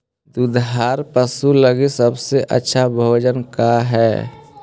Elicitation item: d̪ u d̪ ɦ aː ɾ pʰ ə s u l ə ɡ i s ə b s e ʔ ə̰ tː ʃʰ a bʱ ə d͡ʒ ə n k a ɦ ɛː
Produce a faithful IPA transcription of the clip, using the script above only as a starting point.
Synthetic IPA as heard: d̪ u d̪ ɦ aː ɾ p ə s u l ə ɡ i s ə b s e ʔ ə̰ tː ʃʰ a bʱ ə d͡ʒ ə n k a ɦ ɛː

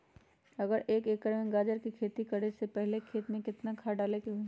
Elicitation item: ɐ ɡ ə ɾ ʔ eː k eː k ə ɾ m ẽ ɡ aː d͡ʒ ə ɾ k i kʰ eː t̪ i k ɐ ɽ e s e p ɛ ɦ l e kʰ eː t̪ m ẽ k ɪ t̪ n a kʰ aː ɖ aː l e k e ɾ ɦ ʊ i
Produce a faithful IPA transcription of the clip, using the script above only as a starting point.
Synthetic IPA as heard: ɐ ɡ ə ɾ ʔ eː k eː k ə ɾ m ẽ ɡ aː d͡ʒ ə ɾ k i kʰ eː t̪ i k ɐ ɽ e s e p ɛ ɦ l e kʰ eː t̪ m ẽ k ɪ t̪ n a kʰ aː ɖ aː l e k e ɦ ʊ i

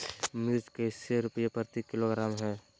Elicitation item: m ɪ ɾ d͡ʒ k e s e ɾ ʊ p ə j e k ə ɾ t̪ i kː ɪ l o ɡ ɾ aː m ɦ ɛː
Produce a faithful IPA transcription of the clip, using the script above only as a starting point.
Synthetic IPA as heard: m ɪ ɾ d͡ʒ k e s e ɾ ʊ p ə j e p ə ɾ t̪ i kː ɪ l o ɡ ɾ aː m ɦ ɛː

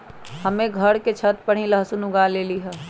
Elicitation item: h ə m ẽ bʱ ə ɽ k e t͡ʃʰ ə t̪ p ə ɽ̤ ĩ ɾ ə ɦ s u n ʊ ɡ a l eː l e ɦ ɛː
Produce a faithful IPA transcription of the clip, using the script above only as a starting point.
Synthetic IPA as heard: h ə m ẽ ɡʱ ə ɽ k e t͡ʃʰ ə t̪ p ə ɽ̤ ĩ l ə ɦ s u n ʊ ɡ a l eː l i ɦ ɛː

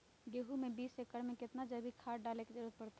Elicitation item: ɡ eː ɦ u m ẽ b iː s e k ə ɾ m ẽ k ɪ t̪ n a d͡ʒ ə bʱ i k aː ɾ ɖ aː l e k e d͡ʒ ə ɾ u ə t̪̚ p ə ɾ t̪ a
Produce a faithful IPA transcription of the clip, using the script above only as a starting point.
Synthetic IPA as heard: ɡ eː ɦ u m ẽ b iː s e k ə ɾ m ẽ k ɪ t̪ n a d͡ʒ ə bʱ i kʰ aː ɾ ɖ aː l e k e d͡ʒ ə ɾ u ə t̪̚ p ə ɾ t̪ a

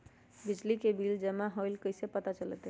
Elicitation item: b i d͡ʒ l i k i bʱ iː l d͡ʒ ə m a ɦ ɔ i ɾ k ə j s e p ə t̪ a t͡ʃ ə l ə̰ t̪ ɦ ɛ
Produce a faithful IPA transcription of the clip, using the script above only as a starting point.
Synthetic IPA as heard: b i d͡ʒ l i k e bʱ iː l d͡ʒ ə m a ɦ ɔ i l k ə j s e p ə t̪ a t͡ʃ ə l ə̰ t̪ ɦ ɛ

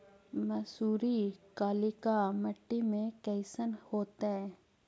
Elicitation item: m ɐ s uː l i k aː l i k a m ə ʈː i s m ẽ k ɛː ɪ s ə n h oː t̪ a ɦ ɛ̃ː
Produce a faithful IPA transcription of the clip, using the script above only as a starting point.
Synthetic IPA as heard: m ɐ s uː ɾ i k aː l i k a m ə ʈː i m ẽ k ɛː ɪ s ə n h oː t̪ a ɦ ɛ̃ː

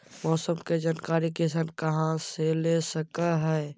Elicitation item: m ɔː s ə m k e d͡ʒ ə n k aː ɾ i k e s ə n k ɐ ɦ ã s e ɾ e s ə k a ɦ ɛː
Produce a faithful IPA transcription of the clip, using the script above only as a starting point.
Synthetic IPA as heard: m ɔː s ə m k e d͡ʒ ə n k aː ɾ i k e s ə n k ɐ ɦ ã s e l e s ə k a ɦ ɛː

